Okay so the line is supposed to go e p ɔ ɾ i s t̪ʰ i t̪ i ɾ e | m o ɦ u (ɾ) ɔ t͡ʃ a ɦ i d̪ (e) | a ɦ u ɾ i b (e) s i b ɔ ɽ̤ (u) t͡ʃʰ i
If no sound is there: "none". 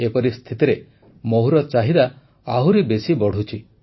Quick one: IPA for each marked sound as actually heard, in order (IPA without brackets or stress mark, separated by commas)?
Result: ɾ, a, e, u